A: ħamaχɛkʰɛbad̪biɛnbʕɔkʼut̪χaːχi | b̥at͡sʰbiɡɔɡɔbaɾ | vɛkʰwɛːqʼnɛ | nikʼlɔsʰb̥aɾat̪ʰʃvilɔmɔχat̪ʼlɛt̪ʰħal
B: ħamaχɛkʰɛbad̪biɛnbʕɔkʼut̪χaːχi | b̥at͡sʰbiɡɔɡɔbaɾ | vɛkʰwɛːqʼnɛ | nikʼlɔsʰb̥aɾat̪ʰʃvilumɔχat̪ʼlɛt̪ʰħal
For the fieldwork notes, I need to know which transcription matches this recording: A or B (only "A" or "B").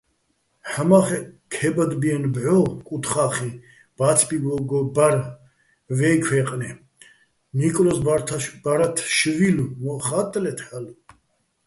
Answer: B